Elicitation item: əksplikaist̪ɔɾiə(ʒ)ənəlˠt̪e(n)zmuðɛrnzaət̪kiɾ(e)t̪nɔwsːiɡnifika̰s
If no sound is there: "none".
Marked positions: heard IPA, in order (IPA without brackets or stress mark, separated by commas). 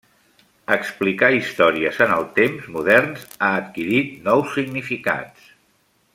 z, m, i